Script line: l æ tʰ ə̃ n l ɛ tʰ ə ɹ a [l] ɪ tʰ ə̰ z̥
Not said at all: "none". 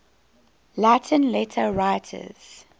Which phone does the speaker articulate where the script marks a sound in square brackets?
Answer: none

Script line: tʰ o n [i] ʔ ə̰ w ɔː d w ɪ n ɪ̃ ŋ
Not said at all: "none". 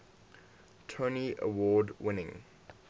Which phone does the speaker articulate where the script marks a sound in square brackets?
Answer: i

